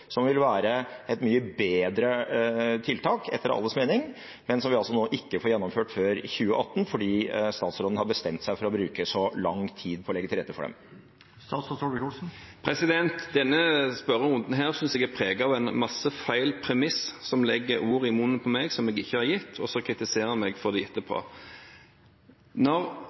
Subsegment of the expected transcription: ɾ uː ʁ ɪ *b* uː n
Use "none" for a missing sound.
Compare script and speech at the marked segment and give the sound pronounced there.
m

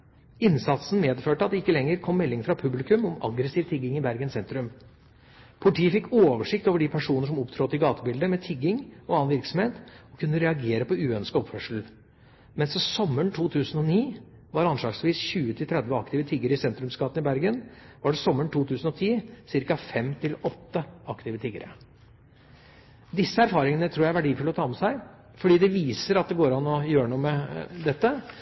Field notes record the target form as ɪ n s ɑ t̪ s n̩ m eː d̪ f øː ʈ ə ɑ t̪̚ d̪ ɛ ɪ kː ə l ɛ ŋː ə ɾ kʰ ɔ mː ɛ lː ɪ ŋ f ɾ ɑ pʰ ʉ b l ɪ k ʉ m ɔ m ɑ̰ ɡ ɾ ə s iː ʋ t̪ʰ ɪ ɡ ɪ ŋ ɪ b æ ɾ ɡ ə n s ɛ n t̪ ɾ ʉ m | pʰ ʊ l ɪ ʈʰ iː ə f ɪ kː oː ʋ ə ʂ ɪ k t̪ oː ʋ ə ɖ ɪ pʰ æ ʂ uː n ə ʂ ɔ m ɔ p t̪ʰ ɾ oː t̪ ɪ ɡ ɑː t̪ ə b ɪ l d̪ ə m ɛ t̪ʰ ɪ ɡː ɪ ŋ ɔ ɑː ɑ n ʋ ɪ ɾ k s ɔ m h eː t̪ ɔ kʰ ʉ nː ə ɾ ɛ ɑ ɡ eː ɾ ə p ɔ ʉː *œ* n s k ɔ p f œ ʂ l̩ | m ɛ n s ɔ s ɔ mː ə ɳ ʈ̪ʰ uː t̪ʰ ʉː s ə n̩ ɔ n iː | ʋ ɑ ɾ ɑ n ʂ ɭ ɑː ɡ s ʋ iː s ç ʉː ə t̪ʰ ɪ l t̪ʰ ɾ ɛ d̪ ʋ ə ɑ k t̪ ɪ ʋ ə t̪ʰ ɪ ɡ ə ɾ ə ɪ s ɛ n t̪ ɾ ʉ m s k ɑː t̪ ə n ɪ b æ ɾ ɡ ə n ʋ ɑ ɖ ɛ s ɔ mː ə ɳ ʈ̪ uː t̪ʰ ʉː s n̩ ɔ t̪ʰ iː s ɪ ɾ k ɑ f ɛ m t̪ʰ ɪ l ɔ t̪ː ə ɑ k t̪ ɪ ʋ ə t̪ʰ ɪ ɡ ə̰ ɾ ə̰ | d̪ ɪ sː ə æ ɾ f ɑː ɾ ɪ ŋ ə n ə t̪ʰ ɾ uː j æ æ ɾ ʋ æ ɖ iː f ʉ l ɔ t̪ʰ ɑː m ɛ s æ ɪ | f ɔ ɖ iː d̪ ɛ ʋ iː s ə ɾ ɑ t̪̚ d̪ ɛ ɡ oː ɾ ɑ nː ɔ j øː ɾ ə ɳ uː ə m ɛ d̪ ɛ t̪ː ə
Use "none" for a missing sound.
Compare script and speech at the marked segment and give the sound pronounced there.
œ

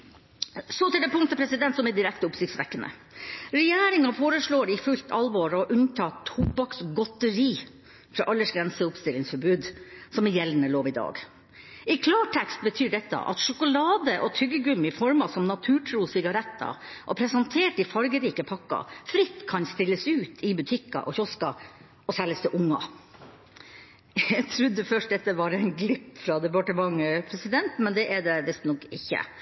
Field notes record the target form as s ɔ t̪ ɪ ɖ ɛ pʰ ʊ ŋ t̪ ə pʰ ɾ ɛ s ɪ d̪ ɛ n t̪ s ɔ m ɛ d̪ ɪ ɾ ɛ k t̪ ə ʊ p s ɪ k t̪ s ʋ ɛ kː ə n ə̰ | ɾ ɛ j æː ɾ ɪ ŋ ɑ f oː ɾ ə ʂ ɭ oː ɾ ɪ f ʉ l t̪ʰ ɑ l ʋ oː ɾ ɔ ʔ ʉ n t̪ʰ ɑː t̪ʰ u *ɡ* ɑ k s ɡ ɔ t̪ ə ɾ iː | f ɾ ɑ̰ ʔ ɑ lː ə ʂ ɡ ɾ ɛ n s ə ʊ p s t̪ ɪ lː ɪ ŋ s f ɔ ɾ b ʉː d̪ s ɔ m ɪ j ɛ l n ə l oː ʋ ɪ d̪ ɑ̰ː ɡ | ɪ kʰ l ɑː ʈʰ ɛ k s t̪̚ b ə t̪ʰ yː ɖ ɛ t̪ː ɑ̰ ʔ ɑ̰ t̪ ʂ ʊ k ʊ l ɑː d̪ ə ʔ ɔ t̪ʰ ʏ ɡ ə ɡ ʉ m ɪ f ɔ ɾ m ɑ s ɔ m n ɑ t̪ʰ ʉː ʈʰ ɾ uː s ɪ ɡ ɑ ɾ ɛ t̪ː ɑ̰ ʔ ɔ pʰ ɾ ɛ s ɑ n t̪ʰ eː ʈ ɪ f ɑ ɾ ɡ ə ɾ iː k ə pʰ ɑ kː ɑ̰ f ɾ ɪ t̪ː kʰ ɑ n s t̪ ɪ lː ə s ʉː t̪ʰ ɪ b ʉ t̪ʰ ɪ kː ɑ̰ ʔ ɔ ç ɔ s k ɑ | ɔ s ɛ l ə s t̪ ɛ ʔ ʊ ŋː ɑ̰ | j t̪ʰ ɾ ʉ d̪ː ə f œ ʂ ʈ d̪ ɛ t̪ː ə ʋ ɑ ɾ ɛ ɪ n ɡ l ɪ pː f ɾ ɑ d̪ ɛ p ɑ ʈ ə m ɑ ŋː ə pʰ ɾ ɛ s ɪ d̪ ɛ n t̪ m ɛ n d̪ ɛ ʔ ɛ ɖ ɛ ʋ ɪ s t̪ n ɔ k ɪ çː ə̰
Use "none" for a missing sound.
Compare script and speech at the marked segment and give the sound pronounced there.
b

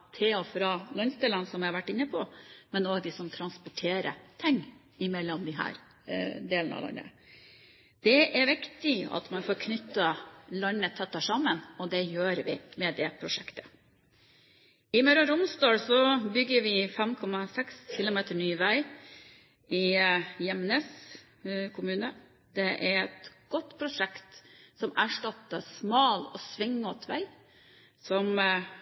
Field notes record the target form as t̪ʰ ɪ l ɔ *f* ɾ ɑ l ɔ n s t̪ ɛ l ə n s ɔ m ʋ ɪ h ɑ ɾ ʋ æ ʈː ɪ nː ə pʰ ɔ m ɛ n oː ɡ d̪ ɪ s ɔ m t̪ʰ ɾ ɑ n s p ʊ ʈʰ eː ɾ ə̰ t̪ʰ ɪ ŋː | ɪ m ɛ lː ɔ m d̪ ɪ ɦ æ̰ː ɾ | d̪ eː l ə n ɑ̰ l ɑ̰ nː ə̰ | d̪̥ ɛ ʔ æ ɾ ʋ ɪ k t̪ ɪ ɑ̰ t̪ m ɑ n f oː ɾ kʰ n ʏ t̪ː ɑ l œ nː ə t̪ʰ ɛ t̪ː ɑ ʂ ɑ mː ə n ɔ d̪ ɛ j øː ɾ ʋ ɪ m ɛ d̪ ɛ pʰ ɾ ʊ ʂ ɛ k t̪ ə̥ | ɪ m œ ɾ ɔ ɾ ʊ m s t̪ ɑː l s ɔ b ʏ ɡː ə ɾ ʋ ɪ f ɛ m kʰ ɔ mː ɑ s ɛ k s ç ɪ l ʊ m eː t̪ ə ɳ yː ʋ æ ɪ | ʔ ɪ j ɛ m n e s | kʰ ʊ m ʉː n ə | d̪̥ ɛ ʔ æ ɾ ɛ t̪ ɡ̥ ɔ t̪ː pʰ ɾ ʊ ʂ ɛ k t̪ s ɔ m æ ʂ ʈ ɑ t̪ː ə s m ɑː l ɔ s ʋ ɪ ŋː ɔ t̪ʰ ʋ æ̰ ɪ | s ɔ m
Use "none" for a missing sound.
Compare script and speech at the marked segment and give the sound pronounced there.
f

